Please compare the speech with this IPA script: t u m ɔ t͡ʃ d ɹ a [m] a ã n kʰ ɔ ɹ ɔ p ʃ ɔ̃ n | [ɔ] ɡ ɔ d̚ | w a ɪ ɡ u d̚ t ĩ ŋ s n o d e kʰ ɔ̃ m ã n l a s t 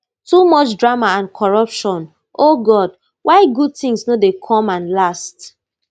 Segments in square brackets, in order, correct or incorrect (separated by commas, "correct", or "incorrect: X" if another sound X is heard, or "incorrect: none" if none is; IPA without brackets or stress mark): correct, incorrect: o